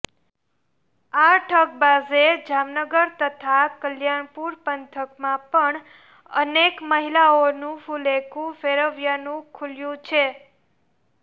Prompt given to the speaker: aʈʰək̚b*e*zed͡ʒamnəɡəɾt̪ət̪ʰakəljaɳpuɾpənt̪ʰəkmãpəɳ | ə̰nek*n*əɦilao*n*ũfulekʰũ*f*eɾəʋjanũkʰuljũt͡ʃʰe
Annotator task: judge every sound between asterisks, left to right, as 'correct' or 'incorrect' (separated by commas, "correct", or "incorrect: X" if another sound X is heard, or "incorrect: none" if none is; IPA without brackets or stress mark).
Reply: incorrect: a, incorrect: m, correct, correct